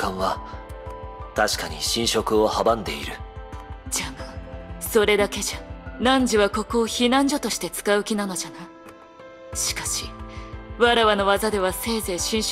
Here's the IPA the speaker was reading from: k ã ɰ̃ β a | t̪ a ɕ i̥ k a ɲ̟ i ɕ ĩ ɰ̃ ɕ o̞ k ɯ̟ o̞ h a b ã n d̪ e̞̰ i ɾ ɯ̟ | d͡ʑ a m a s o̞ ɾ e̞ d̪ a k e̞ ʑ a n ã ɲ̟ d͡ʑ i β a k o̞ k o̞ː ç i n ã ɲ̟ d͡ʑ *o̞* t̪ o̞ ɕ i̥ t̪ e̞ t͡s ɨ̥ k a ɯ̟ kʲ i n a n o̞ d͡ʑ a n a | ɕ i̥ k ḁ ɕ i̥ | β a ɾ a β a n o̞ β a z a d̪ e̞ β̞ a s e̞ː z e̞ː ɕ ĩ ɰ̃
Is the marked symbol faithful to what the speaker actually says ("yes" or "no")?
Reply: yes